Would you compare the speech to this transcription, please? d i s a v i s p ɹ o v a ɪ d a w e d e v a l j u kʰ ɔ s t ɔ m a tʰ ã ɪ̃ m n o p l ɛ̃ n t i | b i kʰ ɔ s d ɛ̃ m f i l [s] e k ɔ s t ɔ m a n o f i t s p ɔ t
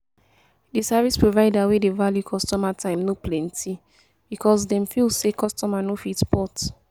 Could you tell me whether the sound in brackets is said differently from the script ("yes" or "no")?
no